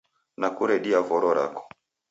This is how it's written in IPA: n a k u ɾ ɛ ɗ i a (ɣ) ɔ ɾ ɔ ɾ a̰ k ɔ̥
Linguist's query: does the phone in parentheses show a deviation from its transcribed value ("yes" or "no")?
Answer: yes